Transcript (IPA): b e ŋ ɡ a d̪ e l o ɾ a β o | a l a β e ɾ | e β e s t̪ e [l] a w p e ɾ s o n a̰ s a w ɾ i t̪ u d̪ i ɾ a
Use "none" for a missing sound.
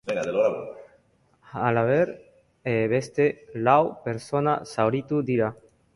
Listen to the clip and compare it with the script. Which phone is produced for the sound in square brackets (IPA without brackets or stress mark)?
l